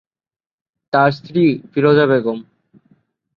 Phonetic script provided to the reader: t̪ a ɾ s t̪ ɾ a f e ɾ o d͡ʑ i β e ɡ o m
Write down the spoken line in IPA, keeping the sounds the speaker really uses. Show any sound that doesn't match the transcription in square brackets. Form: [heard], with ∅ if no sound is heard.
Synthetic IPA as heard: t̪ a ɾ s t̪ ɾ [i] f [i] ɾ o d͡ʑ [a] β e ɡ o m